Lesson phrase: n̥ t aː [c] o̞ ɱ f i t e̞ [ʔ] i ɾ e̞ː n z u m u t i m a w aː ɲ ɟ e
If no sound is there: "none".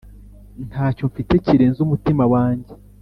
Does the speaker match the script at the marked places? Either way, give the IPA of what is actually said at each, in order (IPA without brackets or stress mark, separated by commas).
c, c